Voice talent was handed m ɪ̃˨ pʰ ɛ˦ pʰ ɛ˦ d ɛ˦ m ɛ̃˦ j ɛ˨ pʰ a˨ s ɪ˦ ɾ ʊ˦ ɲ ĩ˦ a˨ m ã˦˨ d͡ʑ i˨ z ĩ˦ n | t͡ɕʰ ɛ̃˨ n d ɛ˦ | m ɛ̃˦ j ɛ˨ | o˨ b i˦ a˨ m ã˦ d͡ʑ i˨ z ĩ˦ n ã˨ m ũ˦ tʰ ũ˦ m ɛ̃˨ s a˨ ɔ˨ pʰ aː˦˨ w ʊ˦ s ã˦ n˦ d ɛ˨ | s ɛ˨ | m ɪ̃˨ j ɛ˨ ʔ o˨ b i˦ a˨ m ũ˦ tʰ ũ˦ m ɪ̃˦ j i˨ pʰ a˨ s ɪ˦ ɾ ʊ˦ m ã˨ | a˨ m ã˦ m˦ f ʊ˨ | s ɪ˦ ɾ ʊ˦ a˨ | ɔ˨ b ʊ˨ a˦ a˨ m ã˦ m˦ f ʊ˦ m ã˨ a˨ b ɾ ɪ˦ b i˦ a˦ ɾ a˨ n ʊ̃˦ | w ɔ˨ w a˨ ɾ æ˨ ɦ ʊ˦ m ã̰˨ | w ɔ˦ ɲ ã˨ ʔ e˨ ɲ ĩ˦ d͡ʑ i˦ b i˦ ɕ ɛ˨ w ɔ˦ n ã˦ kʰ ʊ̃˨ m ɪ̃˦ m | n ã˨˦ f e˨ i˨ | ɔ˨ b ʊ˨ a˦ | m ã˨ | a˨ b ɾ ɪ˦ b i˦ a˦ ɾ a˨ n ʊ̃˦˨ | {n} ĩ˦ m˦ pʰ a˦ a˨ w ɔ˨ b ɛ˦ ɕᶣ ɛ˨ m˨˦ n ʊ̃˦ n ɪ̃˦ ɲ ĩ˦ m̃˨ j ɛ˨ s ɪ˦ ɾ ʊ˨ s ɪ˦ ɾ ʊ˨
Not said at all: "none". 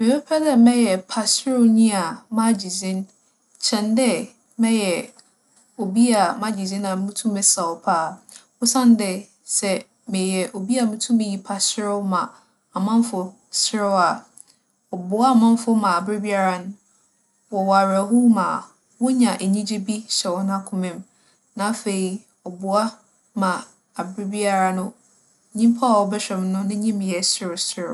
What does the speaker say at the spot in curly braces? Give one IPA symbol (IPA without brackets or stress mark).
ɲ